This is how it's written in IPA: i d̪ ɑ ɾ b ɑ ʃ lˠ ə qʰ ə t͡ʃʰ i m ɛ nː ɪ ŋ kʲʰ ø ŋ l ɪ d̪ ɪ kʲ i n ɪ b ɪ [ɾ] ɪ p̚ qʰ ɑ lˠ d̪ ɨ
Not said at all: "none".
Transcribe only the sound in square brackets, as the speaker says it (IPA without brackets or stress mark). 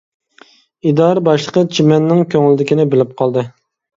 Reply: l